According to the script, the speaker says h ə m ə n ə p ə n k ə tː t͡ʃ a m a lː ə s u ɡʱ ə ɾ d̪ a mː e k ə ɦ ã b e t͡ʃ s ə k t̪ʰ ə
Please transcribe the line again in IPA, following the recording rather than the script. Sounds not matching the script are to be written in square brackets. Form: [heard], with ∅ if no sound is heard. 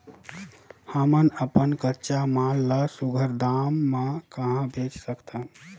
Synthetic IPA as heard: h ə m ə n ə p ə n k ə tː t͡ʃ a m a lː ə s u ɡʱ ə ɾ d̪ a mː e k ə ɦ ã b e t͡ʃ s ə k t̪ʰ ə